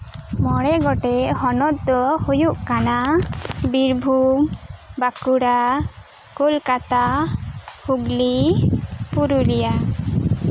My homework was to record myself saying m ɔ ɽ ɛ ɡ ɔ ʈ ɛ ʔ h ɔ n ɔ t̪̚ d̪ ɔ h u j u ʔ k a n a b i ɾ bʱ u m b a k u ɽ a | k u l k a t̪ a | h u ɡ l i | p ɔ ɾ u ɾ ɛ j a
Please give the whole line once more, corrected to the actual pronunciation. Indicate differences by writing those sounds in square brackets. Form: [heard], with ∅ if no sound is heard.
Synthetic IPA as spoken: m ɔ ɽ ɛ ɡ ɔ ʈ ɛ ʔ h ɔ n ɔ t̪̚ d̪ ɔ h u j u ʔ k a n a b i ɾ bʱ u m b a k u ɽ a | k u l k a t̪ a | h u ɡ l i | p [u] ɾ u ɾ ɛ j a